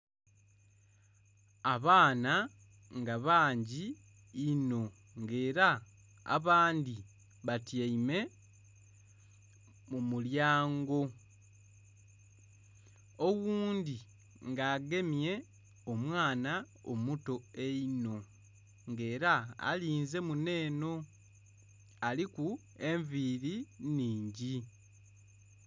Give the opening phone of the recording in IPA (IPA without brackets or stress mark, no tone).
a